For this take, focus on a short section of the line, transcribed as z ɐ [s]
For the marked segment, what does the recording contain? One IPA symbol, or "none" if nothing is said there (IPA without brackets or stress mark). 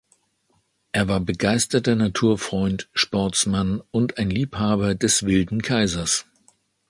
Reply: s